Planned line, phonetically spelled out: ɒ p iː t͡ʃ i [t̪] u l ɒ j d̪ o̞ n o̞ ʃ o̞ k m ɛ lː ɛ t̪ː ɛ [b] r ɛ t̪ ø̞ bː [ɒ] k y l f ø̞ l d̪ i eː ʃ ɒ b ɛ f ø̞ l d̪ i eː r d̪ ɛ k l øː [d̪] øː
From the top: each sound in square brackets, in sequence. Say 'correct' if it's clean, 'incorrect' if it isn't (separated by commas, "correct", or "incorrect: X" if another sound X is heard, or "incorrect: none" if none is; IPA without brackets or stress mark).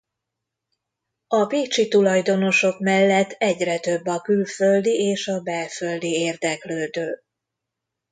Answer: correct, incorrect: ɟ, correct, correct